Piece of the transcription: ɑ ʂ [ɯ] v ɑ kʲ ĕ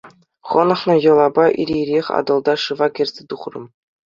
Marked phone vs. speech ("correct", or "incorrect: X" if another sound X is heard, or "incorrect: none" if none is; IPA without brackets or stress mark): correct